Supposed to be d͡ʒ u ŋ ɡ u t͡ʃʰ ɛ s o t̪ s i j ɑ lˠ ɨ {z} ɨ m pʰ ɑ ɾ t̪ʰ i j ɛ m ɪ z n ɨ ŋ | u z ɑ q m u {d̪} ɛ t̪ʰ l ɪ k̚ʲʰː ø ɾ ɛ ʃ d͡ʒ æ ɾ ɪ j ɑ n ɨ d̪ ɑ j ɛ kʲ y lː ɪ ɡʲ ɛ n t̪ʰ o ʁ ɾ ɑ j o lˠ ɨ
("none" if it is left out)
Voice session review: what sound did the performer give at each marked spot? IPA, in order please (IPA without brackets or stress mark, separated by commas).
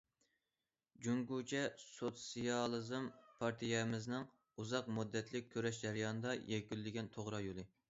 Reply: z, d̪ː